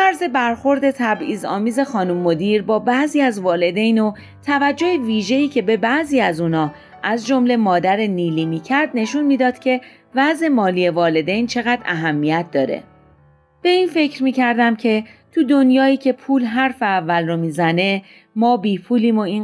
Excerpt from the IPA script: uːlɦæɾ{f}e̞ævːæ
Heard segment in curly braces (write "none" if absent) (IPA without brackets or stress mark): f